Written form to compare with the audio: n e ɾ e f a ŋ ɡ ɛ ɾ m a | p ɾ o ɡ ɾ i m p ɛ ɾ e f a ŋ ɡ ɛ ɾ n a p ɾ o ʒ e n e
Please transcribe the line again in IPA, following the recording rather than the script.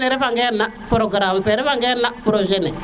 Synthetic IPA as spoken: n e ɾ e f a ŋ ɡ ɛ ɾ n a | p ɾ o ɡ ɾ a m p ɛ ɾ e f a ŋ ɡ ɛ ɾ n a p ɾ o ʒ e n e

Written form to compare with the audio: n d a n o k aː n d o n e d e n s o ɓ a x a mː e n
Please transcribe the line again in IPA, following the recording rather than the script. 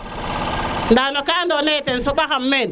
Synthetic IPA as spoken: n d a n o k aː n d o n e t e n s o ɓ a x a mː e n

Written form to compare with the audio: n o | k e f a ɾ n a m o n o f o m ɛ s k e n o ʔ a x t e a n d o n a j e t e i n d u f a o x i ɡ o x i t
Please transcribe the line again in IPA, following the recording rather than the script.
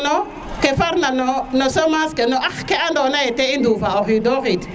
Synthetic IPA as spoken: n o | k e f a ɾ n a n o n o s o m a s k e n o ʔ a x k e a n d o n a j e t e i n d u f a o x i d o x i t

